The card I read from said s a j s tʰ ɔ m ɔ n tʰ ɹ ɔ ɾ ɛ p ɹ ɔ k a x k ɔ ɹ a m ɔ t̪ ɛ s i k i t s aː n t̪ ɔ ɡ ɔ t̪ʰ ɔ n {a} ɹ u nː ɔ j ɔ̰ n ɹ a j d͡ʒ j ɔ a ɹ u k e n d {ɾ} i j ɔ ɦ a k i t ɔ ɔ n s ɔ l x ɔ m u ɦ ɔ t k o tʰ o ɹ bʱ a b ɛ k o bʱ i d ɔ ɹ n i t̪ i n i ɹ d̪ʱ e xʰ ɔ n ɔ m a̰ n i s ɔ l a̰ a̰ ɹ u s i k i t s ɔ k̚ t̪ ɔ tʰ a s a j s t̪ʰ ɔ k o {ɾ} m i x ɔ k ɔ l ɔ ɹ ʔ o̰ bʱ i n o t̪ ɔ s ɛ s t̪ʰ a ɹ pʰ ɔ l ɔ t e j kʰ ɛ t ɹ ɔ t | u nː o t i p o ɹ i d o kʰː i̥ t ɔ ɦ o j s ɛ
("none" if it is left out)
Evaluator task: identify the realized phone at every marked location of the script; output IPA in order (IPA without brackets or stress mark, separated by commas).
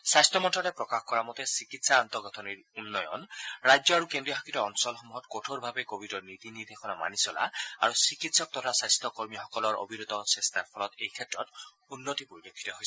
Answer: i, ɹ, ɹ